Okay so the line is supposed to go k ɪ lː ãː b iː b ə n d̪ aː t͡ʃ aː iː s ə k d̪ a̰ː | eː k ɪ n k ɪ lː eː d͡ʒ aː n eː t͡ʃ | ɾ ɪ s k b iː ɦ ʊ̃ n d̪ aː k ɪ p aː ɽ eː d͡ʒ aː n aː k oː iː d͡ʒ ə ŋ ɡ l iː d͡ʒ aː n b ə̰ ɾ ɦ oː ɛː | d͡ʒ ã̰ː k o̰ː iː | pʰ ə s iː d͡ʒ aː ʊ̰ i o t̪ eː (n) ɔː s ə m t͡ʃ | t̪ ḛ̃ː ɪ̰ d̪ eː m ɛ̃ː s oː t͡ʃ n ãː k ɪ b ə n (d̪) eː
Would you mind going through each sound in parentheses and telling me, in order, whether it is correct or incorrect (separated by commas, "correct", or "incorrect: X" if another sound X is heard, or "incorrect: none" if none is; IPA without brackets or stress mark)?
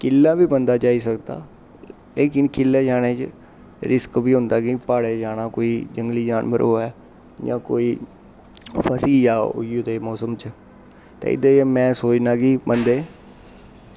incorrect: m, correct